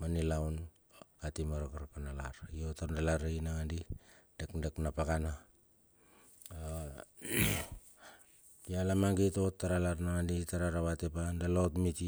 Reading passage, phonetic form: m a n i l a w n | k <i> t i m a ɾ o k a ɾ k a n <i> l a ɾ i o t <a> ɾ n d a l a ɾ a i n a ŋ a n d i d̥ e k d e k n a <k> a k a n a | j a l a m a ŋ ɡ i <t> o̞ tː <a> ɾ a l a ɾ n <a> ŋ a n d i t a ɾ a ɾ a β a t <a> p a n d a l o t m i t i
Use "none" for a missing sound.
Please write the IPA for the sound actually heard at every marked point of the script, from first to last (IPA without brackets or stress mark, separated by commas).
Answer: a, a, a, p, t, a, a, e